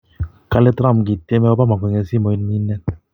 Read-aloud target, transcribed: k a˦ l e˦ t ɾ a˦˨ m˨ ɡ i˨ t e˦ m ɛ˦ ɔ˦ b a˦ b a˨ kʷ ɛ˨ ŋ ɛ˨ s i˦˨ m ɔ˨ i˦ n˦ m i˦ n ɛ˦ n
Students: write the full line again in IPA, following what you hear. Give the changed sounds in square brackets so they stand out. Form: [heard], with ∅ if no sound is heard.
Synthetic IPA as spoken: k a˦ l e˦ t ɾ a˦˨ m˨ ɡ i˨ t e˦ m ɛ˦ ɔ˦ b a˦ [m] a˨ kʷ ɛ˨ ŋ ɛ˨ s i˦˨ m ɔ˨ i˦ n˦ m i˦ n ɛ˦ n